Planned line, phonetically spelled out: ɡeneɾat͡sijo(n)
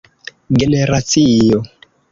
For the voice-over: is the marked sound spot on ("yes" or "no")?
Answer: no